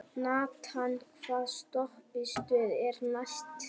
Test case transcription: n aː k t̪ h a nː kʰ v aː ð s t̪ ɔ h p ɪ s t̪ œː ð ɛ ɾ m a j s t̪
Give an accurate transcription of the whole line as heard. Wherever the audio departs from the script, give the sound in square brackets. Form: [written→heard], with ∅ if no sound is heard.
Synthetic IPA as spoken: n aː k t̪ h a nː kʰ v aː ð s t̪ ɔ h p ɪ s t̪ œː ð ɛ ɾ [m→n] a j s t̪